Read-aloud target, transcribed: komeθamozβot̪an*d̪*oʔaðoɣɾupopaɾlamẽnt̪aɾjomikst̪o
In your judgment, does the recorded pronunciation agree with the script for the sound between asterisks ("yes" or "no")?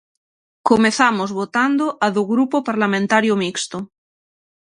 yes